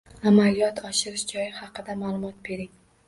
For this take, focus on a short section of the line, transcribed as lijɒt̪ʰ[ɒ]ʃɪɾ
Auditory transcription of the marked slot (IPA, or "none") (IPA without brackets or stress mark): ɒ